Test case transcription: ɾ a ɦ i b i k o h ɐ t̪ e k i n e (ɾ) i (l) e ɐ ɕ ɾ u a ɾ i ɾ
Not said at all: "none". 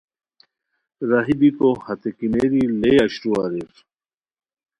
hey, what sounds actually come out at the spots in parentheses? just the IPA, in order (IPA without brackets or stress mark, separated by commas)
ɾ, l